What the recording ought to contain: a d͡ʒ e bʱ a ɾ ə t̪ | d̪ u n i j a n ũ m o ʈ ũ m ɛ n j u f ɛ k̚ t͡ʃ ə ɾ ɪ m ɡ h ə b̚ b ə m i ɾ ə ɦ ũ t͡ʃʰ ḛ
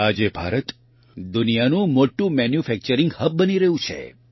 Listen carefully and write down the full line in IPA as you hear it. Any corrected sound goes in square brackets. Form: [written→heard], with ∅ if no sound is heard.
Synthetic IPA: a d͡ʒ e bʱ a ɾ ə t̪ | d̪ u n i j a n ũ m o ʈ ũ m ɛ n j u f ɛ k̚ t͡ʃ ə ɾ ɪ [m→ŋ] ɡ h ə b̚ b ə [m→n] i ɾ ə ɦ ũ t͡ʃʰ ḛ